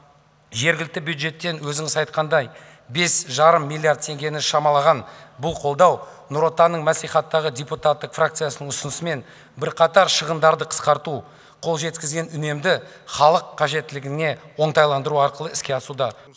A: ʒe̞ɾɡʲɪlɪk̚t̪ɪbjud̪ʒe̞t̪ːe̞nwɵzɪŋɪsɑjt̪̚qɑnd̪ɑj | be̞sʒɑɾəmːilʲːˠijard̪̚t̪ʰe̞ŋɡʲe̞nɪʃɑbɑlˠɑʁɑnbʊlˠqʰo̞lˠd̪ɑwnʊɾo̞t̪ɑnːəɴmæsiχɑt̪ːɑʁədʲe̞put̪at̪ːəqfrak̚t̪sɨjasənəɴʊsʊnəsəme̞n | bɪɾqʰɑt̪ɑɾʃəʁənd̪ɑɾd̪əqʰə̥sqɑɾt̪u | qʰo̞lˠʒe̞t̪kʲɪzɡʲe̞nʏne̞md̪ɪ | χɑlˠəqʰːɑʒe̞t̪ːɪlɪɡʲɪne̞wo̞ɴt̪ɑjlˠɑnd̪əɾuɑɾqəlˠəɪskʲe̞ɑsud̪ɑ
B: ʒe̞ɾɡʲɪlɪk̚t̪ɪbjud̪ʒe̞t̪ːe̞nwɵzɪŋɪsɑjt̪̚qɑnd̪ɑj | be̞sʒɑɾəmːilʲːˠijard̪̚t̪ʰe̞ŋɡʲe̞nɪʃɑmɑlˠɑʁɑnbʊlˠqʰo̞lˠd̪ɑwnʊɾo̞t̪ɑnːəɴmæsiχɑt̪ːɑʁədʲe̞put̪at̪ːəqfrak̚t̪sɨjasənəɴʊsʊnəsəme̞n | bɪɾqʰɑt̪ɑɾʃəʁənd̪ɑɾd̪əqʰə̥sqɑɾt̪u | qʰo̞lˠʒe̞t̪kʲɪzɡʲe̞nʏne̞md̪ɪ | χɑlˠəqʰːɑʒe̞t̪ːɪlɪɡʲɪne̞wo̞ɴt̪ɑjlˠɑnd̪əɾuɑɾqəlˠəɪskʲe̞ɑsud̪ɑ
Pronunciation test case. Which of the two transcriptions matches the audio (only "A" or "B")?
B